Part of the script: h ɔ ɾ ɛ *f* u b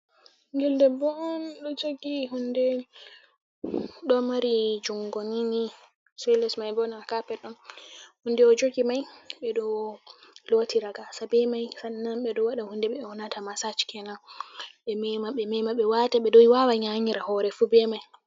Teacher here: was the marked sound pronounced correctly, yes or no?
yes